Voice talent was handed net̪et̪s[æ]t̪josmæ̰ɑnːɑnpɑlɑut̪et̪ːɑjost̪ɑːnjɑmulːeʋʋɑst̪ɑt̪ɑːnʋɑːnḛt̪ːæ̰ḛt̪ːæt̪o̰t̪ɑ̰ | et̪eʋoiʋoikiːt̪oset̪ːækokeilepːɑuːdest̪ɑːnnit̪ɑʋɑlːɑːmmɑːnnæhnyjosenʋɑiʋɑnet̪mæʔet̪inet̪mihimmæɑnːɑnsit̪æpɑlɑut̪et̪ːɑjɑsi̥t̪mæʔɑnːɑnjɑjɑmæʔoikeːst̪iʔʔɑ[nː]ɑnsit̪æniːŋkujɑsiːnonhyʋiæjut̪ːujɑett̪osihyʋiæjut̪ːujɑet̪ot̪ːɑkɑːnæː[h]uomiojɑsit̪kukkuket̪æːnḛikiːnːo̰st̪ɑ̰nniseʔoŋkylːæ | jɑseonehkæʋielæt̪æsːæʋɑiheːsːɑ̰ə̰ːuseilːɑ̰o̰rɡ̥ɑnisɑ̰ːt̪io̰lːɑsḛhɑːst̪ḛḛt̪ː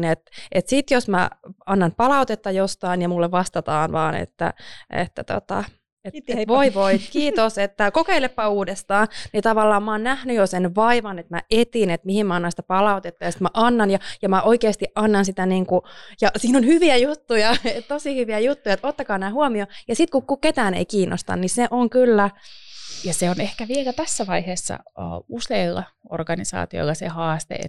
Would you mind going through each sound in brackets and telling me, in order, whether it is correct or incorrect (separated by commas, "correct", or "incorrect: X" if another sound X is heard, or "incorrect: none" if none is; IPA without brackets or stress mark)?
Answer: incorrect: i, correct, correct